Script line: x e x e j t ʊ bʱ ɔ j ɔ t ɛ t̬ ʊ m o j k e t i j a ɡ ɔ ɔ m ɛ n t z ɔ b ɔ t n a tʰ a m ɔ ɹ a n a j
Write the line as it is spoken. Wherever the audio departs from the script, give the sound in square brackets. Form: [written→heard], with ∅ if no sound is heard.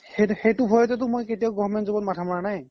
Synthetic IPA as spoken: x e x e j t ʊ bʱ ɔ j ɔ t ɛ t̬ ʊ m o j k e t i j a ɡ ɔ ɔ m ɛ n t z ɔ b ɔ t [n→m] a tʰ a m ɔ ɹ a n a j

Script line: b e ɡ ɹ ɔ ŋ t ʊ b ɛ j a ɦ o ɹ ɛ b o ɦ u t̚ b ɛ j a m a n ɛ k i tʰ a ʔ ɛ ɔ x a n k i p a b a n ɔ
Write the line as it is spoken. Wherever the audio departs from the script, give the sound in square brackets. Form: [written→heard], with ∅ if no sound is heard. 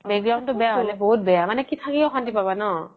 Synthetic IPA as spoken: b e ɡ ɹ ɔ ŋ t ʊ b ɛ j a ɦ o [ɹ→l] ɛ b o ɦ u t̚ b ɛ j a m a n ɛ k i tʰ a [ʔ→k] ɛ ɔ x a n [k→t] i p a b a n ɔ

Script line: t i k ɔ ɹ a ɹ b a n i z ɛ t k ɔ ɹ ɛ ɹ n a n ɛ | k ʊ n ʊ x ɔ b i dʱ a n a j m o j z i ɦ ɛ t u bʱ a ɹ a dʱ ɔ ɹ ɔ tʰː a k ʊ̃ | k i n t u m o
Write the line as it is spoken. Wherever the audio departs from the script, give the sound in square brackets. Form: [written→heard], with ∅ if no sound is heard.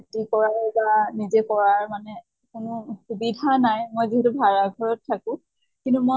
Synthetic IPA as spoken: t i k ɔ ɹ a ɹ b a n i z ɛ [t→∅] k ɔ ɹ [ɛ→a] ɹ [n→m] a n ɛ | k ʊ n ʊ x [ɔ→u] b i dʱ a n a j m o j z i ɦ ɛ t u bʱ a ɹ a [dʱ→ɡʱ] ɔ ɹ ɔ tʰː a k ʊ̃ | k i n t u m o

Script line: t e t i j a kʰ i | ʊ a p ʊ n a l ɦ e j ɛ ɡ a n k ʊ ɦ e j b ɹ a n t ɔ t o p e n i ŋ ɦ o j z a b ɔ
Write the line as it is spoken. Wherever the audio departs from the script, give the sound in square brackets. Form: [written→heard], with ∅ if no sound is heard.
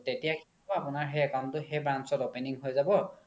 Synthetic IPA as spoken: t e t i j a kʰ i | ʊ a p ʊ n a [l→ɹ] ɦ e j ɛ [ɡ→k] a n [k→t] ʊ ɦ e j b ɹ a n [t→s] ɔ t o p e n i ŋ ɦ o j z a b ɔ

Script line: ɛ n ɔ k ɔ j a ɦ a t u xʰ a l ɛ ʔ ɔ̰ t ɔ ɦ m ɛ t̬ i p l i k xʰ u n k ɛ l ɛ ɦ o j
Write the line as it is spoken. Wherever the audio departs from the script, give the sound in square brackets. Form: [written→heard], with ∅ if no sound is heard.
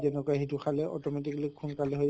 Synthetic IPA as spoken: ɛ n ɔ k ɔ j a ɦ [a→i] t u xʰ a l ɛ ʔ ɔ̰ t ɔ [ɦ→∅] m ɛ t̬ i [p→k] l i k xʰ u n k [ɛ→a] l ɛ ɦ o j

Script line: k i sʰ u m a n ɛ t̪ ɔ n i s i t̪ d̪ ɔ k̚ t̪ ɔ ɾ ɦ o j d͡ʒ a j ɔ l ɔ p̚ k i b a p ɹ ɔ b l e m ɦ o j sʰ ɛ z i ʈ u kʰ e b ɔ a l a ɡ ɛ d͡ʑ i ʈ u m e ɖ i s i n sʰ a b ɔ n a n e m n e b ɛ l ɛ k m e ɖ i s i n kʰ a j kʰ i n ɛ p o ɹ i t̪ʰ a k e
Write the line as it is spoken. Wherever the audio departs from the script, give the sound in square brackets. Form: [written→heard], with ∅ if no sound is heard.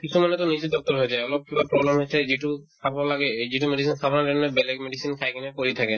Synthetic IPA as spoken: k i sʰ u m a n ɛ t̪ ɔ n i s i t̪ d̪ ɔ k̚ t̪ ɔ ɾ ɦ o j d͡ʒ a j ɔ l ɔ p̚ k i b a p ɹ ɔ b l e m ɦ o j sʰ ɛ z i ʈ u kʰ [e→a] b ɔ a l a ɡ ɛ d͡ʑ i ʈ u m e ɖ i s i n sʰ a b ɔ n a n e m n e b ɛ l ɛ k m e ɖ i s i n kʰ a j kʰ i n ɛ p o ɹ i t̪ʰ a k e

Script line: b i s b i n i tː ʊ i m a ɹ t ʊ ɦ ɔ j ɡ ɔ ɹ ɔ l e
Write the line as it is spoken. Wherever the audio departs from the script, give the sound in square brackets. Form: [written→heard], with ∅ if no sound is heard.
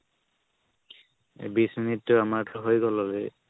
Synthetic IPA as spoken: b i s [b→m] i n i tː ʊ [i→a] m a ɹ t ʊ ɦ [ɔ→o] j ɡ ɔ [ɹ→l] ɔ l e

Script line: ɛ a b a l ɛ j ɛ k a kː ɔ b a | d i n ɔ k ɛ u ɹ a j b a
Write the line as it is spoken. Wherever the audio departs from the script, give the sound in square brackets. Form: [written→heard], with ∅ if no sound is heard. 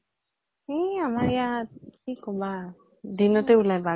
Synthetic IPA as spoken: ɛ a [b→m] a [l→ɹ] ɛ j [ɛ→a] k [a→i] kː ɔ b a | d i n ɔ [k→t] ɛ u [ɹ→l] a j b a

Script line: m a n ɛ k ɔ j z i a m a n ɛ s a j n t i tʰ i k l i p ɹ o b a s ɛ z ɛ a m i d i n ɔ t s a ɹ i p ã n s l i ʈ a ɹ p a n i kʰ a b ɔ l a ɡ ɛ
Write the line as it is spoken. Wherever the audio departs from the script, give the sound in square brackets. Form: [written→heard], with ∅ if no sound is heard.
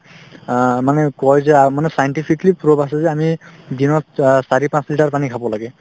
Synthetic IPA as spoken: m a n ɛ k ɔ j z [i→ɛ] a m a n ɛ s a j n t i [tʰ→pʰ] i k l i p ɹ o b a s ɛ z ɛ a m i d i n ɔ t s a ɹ i p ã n s l i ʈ a ɹ p a n i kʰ a b ɔ l a ɡ ɛ

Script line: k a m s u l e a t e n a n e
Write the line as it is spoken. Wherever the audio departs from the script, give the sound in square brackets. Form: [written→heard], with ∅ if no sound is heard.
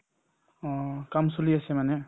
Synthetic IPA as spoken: k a m s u l [e→i] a [t→s] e [n→m] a n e

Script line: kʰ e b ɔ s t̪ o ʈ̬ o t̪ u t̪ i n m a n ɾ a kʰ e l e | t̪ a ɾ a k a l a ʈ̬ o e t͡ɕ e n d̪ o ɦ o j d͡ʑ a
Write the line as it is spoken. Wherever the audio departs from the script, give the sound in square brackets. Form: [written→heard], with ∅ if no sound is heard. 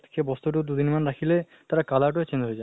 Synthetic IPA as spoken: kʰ e b ɔ s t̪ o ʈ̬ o [t̪→d̪] u [t̪→d̪] i n m a n ɾ a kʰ [e→i] l e | t̪ a ɾ a k a l a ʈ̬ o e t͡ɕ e n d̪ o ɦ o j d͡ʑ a

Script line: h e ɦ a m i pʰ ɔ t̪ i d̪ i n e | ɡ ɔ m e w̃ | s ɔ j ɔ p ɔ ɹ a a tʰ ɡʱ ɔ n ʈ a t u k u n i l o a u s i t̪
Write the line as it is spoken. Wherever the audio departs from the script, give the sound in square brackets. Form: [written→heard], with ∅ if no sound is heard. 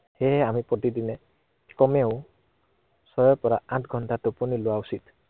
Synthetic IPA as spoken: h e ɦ a m i [pʰ→p] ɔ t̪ i d̪ i n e | [ɡ→k] ɔ m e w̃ | s ɔ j ɔ p ɔ [ɹ→ɾ] a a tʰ ɡʱ ɔ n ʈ a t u [k→p] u n i l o a u s i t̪

